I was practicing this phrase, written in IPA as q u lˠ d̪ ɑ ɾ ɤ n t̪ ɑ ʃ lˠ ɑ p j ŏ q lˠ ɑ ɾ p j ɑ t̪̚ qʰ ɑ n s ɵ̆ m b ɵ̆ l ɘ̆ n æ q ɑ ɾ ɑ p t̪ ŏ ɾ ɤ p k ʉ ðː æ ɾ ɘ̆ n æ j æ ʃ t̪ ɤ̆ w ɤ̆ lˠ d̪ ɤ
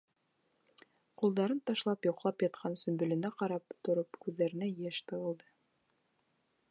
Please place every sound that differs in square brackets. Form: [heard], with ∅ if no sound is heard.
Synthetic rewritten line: q u lˠ d̪ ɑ ɾ ɤ n t̪ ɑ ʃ lˠ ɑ p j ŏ q lˠ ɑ [∅] p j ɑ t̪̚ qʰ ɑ n s ɵ̆ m b ɵ̆ l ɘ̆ n æ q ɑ ɾ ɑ p t̪ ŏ ɾ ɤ p k ʉ ðː æ ɾ ɘ̆ n æ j æ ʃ t̪ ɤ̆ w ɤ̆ lˠ d̪ ɤ